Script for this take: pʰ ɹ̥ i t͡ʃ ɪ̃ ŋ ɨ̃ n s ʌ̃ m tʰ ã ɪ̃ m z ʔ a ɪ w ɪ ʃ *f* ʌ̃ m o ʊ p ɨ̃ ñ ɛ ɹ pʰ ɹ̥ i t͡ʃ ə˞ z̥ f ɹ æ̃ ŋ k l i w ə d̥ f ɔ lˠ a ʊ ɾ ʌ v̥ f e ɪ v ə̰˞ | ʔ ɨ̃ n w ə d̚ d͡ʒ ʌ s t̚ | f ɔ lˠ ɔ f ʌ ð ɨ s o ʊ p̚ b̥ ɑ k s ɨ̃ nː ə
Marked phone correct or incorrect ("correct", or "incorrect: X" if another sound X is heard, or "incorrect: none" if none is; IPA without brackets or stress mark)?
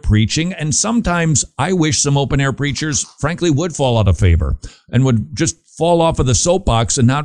incorrect: s